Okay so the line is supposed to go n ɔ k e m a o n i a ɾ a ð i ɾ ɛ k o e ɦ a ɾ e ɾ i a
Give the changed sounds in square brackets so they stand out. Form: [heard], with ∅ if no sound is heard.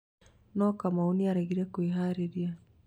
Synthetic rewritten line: n ɔ k [a] m a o n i a ɾ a [ɣ] i ɾ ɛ k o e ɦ a ɾ e ɾ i a

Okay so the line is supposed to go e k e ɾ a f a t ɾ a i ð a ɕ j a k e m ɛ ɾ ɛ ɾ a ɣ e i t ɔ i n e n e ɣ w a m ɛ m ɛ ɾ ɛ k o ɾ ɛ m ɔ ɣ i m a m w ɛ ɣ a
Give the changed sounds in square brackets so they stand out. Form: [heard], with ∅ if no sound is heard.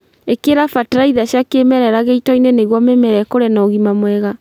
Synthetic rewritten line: e k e ɾ a f a t ɾ a i ð a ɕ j a k e m ɛ ɾ ɛ ɾ a ɣ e i t ɔ i n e n e ɣ w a m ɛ m ɛ ɾ ɛ k o ɾ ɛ [n] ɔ ɣ i m a m w ɛ ɣ a

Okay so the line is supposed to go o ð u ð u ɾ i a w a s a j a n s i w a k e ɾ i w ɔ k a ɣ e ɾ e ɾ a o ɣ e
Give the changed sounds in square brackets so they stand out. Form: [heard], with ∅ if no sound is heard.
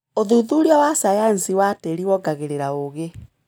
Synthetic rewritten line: o ð u ð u ɾ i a w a s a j a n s i w a [t] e ɾ i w ɔ [ɡ] a ɣ e ɾ e ɾ a o ɣ e

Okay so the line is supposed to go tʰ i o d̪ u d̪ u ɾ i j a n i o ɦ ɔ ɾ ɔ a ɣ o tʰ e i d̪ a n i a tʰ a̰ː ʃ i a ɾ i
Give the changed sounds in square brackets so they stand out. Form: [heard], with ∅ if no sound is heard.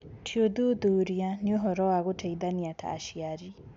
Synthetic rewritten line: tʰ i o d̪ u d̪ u ɾ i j a n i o ɦ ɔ ɾ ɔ a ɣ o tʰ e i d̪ a n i a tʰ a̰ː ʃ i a ɾ i

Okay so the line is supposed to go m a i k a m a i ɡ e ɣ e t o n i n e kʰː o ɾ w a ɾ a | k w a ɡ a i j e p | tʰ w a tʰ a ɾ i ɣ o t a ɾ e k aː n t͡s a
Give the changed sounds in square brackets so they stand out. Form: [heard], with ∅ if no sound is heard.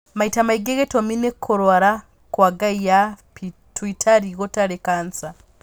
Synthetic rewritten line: m a i [t] a m a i ɡ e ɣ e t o [m] i n e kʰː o ɾ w a ɾ a | k w a ɡ a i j [a] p | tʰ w [i] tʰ a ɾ i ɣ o t a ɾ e k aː n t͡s a

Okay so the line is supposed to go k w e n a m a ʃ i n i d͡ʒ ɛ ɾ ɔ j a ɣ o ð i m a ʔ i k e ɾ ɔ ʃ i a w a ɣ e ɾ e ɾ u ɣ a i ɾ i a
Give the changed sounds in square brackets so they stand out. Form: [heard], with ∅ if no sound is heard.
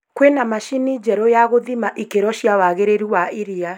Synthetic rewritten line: k w e n a m a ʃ i n i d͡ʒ ɛ ɾ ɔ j a ɣ o ð i m a ʔ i k e ɾ ɔ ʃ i a w a ɣ e ɾ e ɾ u [w] a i ɾ i a

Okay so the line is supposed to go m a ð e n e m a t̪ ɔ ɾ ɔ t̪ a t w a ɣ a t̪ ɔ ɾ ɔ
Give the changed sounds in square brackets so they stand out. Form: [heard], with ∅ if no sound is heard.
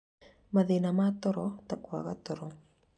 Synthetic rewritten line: m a ð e n [a] m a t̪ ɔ ɾ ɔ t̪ a [k] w a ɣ a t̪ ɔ ɾ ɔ

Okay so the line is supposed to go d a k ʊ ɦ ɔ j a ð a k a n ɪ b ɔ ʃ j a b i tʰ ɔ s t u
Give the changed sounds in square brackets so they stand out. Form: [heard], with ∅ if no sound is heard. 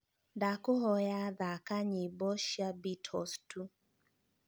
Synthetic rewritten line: d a k ʊ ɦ ɔ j a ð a k a [ɲ] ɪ b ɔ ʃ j a b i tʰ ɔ s t u

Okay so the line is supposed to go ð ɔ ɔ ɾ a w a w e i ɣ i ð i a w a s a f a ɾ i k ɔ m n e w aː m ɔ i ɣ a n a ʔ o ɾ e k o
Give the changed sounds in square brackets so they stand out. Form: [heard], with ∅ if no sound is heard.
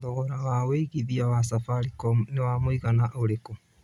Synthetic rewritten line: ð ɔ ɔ ɾ a w a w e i ɣ i ð i a w a s a f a ɾ i k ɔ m n e w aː m [o] i ɣ a n a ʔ o ɾ e k o

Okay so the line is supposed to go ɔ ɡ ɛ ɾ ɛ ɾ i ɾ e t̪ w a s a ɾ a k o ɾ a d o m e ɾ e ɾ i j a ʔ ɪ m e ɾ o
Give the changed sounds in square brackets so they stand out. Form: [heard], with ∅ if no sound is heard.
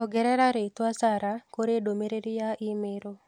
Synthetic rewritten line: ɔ ɡ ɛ ɾ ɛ ɾ [a] ɾ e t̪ w a s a ɾ a k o ɾ [e] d o m e ɾ e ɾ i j a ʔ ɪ m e ɾ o

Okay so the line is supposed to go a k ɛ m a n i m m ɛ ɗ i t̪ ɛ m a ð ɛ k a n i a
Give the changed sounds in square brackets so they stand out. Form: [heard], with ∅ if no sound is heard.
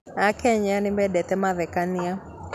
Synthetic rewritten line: a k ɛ [ɲ] a n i m [b] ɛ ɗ [ɛ] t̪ ɛ m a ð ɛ k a n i a

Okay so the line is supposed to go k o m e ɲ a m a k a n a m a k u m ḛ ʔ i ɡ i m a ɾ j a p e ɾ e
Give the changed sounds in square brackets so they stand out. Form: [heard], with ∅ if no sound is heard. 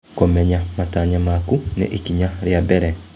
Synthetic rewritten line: k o m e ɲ a m a [t] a [ɲ] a m a k u [n] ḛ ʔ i [k] i [ɲ] a ɾ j a [b] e ɾ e

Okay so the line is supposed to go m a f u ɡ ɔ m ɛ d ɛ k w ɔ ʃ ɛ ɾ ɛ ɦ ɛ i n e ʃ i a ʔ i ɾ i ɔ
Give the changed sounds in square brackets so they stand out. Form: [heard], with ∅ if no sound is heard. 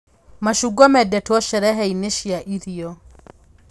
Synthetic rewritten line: m a [ʃ] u ɡ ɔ m ɛ d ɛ [t] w ɔ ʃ ɛ ɾ ɛ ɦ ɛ i n e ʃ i a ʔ i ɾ i ɔ

